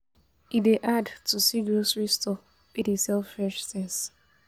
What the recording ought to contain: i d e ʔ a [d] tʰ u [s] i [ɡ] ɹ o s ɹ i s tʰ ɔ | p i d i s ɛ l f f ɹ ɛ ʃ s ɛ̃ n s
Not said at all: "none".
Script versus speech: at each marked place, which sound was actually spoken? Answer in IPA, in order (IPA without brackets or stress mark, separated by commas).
d, s, ɡ